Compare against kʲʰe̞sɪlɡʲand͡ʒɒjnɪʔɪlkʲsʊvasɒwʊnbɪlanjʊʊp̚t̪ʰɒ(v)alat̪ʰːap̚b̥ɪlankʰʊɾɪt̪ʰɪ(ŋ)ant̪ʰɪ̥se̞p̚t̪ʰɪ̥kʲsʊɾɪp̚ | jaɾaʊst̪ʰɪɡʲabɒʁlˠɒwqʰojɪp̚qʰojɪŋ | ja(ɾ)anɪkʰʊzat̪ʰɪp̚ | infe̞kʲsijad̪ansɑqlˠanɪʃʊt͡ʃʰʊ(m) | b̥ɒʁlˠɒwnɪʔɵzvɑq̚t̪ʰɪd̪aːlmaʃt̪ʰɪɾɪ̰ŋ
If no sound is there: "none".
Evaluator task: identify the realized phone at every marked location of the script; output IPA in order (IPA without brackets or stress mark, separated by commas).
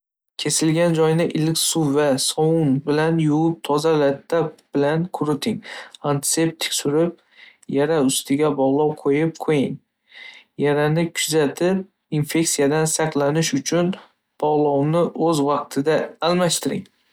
z, ŋ, ɾ, n